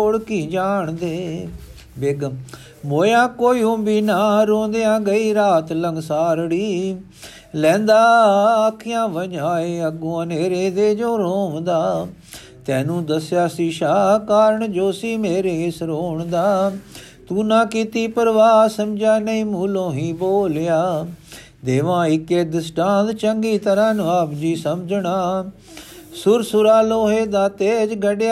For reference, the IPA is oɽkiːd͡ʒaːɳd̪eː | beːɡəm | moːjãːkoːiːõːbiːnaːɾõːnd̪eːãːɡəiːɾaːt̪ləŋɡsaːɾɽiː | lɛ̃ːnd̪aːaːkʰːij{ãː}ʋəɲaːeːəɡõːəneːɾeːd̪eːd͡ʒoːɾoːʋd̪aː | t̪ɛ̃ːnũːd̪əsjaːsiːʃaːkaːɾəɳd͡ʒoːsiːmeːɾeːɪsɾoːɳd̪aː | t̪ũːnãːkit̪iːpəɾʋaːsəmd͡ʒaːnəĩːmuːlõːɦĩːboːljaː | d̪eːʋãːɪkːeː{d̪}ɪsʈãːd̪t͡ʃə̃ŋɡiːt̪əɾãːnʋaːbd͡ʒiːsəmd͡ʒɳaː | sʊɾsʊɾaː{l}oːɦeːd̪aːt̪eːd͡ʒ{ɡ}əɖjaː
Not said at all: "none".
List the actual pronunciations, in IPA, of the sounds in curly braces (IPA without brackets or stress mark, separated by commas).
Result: ãː, d̪, l, ɡ